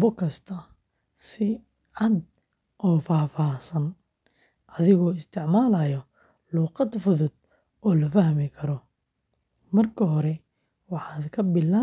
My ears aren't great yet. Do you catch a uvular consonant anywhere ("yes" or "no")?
yes